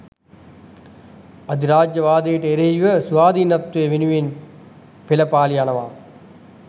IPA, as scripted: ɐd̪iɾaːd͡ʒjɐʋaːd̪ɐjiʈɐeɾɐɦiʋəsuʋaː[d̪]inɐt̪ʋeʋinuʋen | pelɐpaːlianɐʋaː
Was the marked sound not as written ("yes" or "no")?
no